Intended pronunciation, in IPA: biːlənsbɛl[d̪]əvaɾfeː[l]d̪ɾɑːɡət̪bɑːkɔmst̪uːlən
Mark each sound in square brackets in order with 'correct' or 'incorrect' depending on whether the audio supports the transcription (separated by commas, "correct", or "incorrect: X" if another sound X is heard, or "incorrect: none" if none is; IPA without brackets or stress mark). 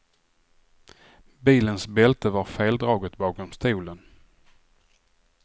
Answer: incorrect: t̪, correct